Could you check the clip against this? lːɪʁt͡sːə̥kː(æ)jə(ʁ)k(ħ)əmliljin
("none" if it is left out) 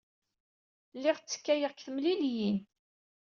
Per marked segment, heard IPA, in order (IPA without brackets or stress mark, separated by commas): æ, ʁ, θ